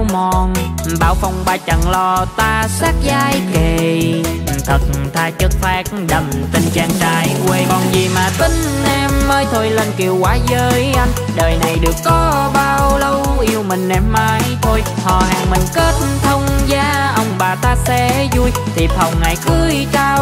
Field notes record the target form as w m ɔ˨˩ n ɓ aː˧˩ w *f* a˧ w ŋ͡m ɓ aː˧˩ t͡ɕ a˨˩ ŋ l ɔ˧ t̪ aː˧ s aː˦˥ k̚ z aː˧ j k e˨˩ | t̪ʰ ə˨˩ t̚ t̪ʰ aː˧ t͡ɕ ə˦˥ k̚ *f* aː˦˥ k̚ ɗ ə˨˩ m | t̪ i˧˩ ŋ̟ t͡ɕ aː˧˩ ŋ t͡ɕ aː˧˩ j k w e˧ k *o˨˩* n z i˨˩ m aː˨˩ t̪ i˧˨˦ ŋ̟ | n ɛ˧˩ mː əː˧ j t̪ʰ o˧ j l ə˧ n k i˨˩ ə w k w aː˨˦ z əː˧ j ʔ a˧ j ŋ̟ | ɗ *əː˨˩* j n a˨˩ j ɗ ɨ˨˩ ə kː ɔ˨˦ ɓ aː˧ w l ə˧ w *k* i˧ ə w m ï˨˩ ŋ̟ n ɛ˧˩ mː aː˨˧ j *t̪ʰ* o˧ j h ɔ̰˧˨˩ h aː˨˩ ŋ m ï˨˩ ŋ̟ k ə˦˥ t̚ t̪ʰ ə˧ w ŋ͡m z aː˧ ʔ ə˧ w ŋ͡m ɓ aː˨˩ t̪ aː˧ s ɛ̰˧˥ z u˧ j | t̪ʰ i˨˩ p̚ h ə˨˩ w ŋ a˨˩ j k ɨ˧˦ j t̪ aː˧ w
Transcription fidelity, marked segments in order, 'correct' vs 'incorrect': correct, correct, incorrect: ɔ˨˩, correct, incorrect: ʔ, correct

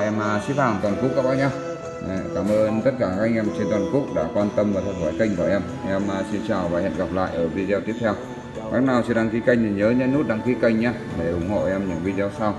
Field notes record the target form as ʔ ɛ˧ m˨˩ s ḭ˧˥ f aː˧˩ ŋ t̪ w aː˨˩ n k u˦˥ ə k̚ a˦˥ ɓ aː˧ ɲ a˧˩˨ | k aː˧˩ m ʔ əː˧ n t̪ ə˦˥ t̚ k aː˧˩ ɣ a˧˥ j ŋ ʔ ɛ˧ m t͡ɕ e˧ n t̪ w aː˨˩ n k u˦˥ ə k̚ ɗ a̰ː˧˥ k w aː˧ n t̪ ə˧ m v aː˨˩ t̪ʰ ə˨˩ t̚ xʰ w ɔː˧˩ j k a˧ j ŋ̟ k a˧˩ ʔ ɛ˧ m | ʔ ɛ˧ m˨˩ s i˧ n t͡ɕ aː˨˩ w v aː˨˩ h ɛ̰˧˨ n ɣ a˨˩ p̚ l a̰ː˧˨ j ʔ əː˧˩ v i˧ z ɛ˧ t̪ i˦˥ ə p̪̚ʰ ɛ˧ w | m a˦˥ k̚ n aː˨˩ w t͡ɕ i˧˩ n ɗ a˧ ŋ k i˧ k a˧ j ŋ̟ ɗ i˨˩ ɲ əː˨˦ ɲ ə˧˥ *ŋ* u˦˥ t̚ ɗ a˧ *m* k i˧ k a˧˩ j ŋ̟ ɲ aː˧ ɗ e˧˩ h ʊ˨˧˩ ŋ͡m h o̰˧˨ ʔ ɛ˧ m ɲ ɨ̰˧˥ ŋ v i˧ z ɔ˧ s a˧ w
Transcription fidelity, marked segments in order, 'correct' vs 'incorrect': incorrect: n, incorrect: ŋ

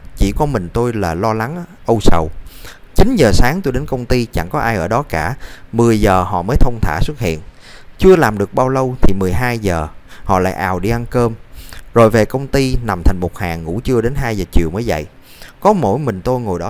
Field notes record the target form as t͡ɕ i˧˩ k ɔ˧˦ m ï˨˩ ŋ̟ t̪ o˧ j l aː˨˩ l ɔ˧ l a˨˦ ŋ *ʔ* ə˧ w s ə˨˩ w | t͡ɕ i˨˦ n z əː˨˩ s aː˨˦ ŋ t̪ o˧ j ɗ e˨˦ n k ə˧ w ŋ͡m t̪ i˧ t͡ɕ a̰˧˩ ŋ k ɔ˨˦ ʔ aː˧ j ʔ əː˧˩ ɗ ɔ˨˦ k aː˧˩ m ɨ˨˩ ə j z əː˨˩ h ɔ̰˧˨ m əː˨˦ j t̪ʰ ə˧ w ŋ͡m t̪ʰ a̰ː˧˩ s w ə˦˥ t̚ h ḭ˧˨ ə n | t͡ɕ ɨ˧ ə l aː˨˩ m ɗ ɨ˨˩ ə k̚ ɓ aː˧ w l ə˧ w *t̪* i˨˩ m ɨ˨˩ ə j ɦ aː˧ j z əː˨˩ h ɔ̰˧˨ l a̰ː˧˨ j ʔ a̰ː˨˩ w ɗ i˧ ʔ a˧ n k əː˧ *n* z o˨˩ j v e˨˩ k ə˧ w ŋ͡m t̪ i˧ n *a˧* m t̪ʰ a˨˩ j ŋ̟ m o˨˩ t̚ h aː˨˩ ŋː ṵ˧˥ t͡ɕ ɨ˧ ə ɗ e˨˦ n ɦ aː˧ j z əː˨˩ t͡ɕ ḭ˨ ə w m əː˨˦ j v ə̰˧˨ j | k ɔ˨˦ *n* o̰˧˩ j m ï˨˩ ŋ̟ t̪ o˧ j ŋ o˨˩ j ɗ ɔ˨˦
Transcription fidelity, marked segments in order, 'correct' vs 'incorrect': correct, incorrect: t̪ʰ, incorrect: m, incorrect: a˨˩, incorrect: m

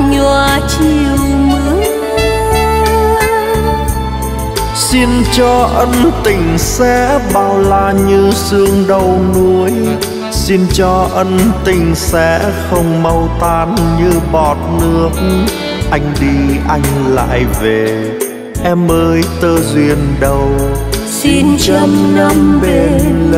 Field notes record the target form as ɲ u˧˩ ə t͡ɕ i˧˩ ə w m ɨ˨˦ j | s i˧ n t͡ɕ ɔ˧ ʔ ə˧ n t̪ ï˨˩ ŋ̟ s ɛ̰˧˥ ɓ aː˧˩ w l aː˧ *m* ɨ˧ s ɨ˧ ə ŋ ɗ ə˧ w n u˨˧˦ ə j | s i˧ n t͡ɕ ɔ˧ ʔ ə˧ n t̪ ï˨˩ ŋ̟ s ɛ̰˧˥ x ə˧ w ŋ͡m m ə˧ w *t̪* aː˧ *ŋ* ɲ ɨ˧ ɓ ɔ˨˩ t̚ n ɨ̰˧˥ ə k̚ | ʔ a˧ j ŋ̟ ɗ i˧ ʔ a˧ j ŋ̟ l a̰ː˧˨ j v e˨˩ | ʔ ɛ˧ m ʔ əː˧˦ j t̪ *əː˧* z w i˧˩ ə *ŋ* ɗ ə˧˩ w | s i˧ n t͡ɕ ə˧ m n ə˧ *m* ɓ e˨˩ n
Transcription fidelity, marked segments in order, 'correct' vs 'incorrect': incorrect: ɲ, correct, incorrect: n, correct, incorrect: n, correct

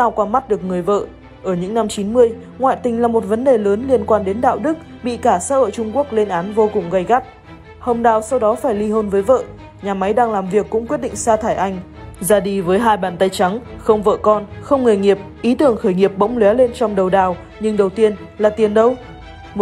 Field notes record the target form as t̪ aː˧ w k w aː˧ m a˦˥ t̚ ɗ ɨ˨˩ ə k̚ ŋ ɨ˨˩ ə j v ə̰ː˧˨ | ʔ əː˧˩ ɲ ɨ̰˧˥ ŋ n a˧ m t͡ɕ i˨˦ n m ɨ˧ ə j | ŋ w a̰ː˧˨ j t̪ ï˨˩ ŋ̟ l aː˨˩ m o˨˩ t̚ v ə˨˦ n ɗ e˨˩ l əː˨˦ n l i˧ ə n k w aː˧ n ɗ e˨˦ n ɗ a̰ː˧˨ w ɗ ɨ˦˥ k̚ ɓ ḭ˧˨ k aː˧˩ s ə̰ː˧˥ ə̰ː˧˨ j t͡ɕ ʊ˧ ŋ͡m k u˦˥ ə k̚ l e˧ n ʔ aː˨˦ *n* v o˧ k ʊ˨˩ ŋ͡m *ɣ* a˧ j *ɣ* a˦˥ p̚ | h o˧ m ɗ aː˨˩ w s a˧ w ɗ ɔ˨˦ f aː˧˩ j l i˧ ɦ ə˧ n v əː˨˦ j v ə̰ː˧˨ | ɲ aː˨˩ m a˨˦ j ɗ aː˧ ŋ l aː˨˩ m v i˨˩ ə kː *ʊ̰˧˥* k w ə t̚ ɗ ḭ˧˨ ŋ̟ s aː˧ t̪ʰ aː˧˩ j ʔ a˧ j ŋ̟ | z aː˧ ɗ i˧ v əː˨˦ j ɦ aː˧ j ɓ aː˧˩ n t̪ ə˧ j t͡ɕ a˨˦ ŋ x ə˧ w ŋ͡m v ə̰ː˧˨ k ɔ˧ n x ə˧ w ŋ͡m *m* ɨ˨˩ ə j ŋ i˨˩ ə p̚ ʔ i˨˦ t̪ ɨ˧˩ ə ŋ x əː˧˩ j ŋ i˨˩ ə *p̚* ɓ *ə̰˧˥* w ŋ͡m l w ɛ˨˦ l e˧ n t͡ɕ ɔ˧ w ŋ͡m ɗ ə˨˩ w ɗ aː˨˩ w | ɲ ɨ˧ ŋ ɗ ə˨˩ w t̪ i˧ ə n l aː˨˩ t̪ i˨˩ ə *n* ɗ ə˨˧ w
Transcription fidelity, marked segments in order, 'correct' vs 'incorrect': correct, correct, correct, correct, incorrect: ŋ, correct, correct, correct

